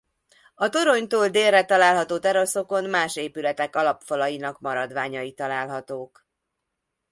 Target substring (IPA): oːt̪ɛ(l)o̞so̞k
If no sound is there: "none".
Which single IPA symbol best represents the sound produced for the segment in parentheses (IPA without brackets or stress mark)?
ɾ